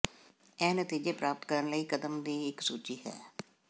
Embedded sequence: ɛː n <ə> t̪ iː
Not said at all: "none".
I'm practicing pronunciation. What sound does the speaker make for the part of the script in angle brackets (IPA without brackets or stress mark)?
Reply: ə